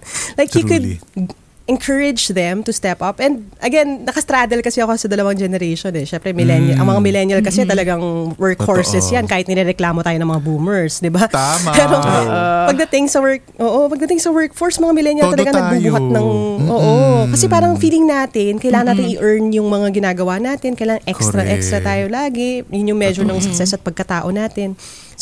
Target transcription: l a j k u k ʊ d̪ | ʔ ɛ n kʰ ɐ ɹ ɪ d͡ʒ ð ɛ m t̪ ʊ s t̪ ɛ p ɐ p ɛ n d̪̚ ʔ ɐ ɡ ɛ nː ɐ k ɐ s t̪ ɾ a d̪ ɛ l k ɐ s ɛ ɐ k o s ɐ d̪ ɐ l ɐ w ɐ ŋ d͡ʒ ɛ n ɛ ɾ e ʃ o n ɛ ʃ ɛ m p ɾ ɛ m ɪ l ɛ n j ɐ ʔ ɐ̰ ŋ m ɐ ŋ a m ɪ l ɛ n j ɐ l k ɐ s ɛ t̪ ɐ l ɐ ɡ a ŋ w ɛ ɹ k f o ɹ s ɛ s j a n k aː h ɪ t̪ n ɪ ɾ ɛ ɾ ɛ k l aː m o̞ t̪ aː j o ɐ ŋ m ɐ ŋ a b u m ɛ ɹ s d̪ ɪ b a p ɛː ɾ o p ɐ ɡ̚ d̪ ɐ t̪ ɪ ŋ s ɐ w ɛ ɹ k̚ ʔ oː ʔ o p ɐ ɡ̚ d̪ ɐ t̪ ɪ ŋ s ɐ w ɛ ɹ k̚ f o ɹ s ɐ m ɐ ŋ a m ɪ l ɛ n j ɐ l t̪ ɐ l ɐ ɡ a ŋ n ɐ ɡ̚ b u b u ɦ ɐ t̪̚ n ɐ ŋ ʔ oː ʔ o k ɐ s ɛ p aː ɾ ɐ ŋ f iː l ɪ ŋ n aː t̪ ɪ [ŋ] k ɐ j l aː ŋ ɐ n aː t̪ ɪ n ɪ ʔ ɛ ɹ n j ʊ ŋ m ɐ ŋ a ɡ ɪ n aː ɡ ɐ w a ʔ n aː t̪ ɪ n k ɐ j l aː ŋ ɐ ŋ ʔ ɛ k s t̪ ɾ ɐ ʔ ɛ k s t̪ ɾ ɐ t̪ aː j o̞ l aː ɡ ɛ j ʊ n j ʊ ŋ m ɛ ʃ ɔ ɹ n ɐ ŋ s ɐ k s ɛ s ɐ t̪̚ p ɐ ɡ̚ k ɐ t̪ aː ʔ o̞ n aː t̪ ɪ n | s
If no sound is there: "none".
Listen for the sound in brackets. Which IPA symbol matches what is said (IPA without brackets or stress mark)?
n